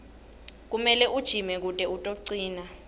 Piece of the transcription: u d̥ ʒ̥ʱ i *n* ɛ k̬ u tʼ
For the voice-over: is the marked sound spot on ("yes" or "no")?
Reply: no